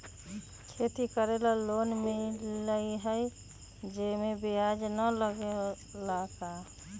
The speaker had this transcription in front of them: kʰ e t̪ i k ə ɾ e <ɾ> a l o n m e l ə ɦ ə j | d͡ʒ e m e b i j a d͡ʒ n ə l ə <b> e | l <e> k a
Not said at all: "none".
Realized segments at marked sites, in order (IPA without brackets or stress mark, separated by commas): l, ɡ, a